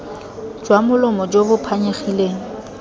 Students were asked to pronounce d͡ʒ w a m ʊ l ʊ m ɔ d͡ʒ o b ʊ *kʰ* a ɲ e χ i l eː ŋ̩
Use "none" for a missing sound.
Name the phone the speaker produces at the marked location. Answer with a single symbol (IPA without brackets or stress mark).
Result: pʰ